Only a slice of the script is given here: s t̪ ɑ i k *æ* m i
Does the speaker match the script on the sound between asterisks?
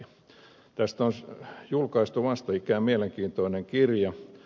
no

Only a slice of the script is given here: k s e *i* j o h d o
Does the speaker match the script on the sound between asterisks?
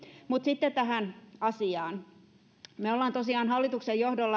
no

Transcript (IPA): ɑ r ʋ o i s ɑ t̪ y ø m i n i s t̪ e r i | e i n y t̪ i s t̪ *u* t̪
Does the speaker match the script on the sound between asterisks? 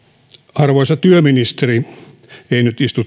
yes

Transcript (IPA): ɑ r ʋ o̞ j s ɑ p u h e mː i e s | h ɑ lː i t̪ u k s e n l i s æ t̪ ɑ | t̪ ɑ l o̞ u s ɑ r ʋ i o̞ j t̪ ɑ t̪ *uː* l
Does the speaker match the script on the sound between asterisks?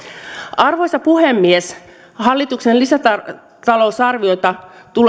no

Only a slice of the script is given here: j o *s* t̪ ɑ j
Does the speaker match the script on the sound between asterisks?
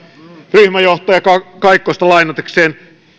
no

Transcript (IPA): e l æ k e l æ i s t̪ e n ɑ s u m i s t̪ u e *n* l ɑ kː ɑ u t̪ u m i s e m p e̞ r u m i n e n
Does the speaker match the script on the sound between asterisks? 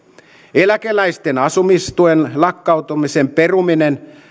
yes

